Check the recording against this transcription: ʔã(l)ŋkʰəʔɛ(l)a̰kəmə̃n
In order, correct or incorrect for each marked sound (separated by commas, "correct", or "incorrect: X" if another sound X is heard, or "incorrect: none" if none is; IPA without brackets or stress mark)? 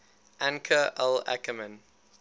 incorrect: none, correct